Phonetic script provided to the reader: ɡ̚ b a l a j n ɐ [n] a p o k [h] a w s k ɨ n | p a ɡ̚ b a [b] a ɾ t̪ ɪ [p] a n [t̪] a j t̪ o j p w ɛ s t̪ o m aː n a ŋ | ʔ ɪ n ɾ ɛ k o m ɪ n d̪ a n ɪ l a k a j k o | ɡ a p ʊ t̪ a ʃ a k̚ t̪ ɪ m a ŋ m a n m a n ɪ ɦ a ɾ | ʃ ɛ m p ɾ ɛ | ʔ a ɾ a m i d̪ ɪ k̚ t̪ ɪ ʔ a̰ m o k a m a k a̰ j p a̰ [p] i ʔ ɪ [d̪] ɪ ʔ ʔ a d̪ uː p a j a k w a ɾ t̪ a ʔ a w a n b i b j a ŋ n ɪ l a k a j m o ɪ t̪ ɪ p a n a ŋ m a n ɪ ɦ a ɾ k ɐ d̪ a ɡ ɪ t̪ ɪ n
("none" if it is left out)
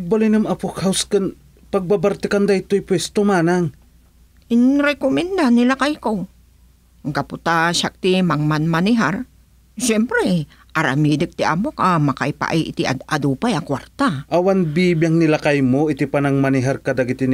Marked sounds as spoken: m, h, b, k, d̪, ʔ, t̪

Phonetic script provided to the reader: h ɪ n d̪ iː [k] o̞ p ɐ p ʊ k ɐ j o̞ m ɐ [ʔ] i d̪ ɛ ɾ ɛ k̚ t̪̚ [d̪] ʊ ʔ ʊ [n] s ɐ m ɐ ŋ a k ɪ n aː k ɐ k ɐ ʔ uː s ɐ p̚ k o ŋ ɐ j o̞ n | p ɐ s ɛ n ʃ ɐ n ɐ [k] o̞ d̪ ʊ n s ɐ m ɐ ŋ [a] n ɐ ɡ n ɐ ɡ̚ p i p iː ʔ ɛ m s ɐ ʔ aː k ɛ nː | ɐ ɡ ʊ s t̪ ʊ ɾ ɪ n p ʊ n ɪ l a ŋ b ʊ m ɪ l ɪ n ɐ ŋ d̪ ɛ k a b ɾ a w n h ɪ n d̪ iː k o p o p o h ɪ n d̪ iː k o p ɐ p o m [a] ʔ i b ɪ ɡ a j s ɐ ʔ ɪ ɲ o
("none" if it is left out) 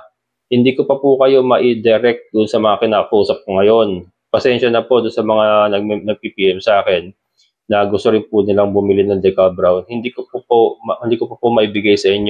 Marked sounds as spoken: k, ʔ, d̪, n, p, a, ɐ

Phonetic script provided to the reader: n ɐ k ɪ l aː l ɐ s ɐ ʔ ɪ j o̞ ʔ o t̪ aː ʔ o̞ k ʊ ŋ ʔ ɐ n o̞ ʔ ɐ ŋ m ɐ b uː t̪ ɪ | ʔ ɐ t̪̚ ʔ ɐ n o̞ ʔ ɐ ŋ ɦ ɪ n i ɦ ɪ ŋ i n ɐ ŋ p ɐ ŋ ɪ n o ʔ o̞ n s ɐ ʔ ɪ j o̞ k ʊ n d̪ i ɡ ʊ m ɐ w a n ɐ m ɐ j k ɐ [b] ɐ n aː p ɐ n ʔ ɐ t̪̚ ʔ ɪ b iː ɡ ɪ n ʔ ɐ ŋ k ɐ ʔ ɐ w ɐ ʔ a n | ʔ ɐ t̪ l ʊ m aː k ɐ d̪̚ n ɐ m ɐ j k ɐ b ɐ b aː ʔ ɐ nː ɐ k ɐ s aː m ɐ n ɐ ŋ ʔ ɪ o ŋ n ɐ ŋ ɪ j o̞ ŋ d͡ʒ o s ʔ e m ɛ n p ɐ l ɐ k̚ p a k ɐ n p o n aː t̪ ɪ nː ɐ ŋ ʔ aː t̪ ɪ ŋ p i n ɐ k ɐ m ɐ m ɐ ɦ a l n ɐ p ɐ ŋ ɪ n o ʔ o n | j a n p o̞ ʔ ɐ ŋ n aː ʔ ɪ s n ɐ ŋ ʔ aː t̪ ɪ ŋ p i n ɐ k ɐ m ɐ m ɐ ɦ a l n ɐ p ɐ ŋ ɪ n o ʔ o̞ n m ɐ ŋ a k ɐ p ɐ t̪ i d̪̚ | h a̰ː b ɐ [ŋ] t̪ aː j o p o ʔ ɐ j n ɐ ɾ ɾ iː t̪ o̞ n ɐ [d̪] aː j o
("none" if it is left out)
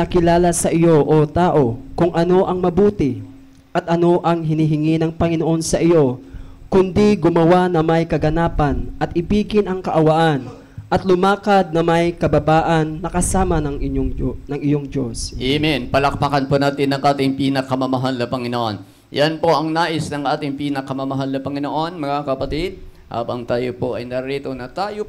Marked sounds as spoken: ɡ, ŋ, t̪

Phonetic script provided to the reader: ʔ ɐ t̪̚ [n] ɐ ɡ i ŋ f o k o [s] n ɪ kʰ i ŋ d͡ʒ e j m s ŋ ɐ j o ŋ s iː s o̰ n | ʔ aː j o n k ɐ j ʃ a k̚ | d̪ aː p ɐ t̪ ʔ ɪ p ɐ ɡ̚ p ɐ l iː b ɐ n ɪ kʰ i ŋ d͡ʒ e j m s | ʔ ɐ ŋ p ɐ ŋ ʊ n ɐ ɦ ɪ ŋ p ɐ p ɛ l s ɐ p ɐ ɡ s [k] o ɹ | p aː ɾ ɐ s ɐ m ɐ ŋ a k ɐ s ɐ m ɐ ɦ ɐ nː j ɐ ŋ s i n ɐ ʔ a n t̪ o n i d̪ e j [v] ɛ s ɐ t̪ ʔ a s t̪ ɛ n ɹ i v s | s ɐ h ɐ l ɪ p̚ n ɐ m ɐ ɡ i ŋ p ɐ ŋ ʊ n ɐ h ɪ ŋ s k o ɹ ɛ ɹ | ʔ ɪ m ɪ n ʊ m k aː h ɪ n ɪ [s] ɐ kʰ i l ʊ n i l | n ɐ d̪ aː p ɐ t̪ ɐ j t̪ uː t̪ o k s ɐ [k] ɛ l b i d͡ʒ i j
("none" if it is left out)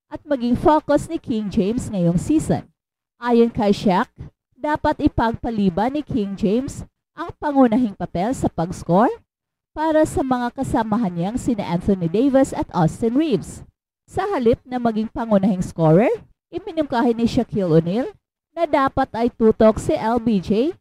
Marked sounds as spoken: m, s, k, v, ʃ, ʔ

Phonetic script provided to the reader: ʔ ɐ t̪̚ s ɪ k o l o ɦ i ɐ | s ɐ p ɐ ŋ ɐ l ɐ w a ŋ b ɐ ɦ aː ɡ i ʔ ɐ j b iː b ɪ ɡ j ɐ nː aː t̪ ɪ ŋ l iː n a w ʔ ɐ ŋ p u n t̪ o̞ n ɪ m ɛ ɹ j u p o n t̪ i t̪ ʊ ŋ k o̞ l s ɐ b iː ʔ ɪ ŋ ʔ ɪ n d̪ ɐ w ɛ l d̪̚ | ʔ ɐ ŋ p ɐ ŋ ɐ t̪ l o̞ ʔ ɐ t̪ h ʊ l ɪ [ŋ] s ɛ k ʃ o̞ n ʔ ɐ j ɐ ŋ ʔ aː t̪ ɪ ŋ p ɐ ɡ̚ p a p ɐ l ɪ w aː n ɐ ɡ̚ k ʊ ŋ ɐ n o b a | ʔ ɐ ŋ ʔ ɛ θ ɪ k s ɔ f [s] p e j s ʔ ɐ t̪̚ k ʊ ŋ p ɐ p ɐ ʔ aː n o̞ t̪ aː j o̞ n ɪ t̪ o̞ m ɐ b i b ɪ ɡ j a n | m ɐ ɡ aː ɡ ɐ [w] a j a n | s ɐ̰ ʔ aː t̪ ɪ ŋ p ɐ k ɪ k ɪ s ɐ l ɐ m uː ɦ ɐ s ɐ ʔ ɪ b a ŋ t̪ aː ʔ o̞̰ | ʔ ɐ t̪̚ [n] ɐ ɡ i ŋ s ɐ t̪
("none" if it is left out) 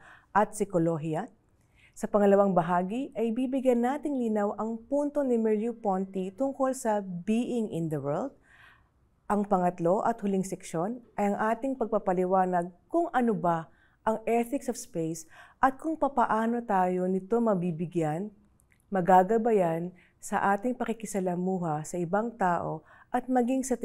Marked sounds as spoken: ŋ, s, b, m

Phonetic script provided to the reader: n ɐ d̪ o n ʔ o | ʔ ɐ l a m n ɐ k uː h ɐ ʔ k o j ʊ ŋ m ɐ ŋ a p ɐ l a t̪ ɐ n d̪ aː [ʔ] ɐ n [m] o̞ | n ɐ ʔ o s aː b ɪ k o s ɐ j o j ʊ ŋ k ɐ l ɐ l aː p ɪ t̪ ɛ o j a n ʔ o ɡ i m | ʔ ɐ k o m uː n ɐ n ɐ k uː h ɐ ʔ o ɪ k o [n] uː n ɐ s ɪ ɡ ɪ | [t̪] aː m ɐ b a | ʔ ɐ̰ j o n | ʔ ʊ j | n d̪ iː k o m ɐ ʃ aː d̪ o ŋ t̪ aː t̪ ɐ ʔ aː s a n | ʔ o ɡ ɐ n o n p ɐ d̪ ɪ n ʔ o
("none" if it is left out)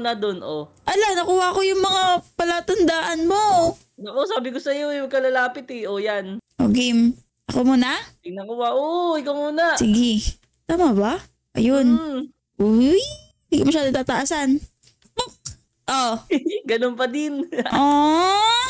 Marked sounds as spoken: ʔ, m, m, t̪

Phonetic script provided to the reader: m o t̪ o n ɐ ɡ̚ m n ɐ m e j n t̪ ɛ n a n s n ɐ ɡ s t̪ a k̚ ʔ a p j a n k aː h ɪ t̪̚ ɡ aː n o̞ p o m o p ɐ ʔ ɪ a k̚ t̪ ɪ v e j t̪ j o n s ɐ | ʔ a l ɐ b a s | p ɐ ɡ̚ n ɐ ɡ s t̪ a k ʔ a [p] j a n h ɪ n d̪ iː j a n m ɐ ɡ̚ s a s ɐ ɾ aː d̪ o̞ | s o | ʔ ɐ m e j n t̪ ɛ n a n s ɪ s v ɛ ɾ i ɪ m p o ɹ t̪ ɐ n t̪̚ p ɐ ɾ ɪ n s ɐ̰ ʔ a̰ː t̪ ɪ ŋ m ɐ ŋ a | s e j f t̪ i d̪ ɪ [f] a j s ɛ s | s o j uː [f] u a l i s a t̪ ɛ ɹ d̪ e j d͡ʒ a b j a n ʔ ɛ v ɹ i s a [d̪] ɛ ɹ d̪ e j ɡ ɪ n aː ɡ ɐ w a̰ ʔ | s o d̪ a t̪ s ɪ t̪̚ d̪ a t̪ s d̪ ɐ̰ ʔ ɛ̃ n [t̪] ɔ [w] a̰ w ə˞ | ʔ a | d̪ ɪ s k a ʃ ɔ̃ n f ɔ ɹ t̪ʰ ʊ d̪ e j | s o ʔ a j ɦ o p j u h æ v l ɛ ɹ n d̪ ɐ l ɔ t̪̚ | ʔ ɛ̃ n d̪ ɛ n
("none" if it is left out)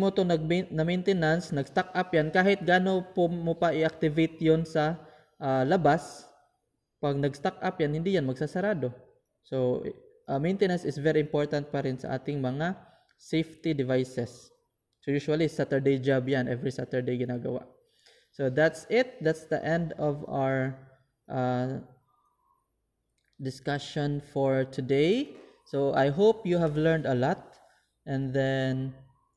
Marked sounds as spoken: p, v, ʃ, t̪, d̪, v

